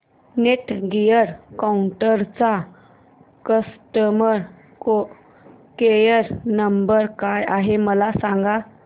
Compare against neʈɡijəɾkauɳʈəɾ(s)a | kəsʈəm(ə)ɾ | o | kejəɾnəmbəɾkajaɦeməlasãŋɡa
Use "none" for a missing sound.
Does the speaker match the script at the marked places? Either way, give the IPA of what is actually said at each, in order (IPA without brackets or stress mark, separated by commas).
t͡s, ə